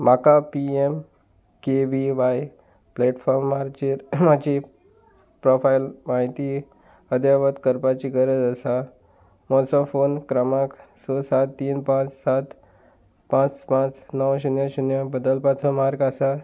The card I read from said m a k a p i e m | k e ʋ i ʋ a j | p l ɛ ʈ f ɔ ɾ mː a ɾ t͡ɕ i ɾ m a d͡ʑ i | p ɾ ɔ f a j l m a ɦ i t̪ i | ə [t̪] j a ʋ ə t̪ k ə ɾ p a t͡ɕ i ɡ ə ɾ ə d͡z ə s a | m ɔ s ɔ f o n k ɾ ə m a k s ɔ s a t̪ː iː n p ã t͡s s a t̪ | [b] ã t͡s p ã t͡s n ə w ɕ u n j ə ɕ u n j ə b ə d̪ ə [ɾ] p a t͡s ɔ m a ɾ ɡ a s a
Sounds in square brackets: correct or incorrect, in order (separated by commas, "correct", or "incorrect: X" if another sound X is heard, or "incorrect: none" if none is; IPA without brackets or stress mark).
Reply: incorrect: d̪, incorrect: p, incorrect: l